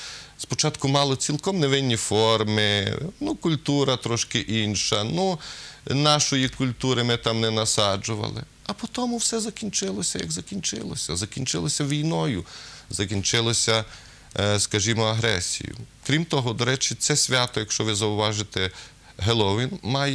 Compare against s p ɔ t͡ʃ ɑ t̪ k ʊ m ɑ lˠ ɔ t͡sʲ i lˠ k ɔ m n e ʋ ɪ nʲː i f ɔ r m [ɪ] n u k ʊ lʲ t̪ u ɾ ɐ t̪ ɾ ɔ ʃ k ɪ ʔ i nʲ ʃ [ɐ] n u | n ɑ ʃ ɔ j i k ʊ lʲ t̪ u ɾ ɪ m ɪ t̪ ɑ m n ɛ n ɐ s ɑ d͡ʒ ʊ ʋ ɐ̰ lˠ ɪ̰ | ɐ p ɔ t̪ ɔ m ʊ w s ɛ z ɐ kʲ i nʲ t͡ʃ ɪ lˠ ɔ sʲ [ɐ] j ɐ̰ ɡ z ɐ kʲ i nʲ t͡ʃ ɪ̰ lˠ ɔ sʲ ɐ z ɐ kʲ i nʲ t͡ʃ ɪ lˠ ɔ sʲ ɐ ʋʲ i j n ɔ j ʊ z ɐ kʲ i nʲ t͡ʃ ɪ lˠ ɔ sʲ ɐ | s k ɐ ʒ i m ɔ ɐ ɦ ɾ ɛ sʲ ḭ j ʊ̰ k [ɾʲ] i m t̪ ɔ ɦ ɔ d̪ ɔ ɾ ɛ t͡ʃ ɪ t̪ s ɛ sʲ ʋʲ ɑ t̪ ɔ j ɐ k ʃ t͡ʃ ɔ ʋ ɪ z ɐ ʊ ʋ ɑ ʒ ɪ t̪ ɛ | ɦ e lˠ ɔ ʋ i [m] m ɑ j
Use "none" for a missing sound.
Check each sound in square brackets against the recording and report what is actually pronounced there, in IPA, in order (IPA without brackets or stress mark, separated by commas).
ɪ, ɐ, ɐ, ɾʲ, n